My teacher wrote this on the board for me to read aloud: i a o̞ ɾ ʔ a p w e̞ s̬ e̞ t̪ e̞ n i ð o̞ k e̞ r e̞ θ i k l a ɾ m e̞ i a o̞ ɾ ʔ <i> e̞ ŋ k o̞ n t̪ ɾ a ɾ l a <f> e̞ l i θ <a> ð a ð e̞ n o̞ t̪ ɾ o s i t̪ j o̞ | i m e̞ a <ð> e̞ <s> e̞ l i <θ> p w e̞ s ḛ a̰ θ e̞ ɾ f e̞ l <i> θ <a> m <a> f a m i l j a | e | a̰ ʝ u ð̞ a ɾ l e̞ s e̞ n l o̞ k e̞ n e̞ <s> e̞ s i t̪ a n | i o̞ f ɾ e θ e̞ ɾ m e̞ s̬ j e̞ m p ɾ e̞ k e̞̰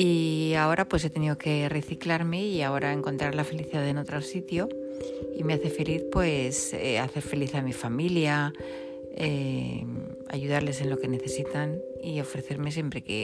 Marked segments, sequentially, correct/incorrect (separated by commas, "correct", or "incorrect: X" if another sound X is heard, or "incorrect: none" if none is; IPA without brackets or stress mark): incorrect: a, correct, incorrect: i, incorrect: θ, incorrect: f, correct, correct, correct, incorrect: i, incorrect: θ